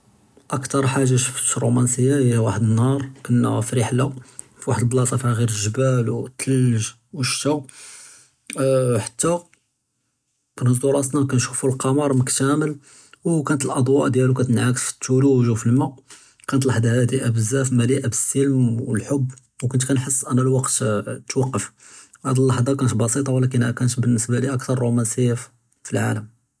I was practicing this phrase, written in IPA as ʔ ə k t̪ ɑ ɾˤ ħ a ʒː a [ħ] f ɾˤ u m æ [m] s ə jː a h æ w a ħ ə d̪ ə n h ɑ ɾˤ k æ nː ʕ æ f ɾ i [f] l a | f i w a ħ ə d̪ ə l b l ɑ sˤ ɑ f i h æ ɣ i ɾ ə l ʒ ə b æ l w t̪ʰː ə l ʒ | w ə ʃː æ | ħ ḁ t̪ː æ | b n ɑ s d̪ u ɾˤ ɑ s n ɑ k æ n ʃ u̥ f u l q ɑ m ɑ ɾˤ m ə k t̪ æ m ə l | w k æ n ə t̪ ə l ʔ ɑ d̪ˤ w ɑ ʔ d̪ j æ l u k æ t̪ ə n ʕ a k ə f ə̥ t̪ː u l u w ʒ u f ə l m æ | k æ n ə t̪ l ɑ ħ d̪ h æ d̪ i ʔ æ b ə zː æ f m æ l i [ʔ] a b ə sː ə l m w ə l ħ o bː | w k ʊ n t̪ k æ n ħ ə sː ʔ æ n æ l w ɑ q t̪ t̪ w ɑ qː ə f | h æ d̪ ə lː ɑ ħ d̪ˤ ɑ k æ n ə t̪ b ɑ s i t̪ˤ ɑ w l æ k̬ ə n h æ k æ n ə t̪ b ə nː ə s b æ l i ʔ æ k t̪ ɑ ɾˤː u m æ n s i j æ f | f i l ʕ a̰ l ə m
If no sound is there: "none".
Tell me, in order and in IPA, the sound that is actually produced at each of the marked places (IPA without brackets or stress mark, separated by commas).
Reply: ʃ, n, ħ, ʔ